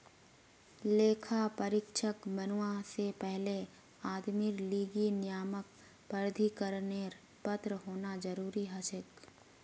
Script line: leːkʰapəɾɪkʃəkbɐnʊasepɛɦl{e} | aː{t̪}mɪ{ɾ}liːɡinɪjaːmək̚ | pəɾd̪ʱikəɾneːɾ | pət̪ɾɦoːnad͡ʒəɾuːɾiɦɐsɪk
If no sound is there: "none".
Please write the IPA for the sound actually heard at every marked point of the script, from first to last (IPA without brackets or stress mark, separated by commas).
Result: e, d̪, ɾ